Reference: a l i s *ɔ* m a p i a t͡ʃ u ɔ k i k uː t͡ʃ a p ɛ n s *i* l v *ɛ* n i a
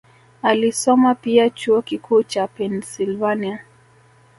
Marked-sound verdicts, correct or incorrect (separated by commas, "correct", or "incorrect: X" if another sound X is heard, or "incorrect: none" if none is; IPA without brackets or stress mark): correct, correct, incorrect: a